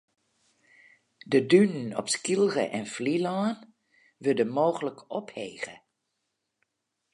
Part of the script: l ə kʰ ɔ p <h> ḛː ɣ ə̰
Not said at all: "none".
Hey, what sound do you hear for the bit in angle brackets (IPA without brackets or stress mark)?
h